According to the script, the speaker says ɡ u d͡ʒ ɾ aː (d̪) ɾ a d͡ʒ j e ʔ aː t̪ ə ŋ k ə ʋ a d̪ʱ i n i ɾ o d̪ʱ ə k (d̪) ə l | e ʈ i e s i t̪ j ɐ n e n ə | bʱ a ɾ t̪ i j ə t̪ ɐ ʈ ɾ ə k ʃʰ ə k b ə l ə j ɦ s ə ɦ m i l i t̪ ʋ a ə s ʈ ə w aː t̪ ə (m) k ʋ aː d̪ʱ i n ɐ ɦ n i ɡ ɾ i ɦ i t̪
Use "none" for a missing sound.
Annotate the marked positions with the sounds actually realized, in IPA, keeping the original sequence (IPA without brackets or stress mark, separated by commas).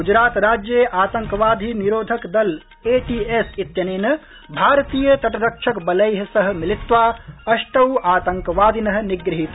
t̪, d̪, ŋ